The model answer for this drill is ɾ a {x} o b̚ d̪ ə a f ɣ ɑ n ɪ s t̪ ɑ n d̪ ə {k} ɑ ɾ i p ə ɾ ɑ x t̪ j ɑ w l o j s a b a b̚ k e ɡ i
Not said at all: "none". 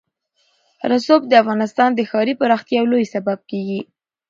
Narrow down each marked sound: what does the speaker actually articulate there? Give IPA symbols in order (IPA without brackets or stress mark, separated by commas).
s, x